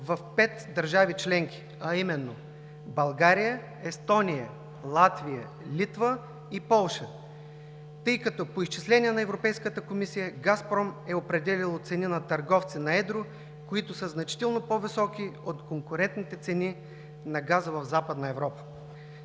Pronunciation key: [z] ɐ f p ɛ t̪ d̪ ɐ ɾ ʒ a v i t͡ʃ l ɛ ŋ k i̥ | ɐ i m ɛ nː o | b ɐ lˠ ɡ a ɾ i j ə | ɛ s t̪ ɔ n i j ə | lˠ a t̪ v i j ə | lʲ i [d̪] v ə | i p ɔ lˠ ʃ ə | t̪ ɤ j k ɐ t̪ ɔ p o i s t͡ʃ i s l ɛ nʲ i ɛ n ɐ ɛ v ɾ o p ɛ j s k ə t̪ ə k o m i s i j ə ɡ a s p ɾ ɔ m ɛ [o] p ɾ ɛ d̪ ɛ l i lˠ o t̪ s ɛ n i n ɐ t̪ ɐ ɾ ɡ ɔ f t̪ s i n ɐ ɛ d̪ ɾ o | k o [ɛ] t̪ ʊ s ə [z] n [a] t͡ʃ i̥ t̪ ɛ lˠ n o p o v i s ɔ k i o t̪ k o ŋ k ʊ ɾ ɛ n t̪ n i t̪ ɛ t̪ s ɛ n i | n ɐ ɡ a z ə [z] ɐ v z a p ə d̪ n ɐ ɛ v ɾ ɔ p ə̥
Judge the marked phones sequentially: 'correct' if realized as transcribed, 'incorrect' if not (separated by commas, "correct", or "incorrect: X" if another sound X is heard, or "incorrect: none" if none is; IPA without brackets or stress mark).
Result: incorrect: v, incorrect: t̪, correct, incorrect: i, correct, incorrect: ɐ, incorrect: v